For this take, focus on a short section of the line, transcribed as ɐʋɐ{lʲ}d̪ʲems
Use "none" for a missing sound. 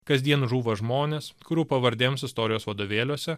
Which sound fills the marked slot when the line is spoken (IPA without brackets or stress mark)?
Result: ɾʲ